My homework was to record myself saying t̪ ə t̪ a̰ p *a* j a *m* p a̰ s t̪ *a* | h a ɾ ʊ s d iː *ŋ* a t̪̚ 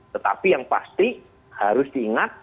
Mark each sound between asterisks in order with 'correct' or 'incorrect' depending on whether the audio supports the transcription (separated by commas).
incorrect, incorrect, incorrect, correct